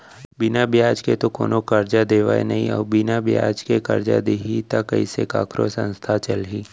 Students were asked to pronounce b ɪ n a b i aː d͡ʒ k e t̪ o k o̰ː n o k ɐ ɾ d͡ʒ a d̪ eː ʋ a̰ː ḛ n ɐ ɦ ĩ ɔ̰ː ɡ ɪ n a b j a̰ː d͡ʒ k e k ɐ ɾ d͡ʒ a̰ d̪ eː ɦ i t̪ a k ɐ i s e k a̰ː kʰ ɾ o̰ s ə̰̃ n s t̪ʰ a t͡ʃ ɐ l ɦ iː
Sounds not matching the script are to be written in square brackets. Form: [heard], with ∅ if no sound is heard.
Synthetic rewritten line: b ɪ n a b [j] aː d͡ʒ k e t̪ o k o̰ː n o k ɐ ɾ d͡ʒ a d̪ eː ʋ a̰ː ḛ n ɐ ɦ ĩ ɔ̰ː [b] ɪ n a b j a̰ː d͡ʒ k e k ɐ ɾ d͡ʒ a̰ d̪ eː ɦ i t̪ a k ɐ i s e k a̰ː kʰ ɾ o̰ s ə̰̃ n s t̪ʰ a t͡ʃ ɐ l ɦ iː